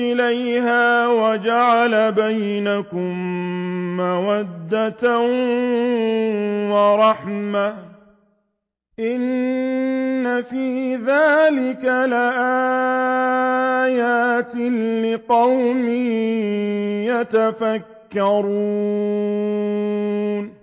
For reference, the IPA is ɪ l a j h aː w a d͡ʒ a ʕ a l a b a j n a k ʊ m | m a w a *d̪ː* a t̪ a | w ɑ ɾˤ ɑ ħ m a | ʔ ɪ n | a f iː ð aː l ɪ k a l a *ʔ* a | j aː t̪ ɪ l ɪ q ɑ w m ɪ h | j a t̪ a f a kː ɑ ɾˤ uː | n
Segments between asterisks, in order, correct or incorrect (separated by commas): correct, correct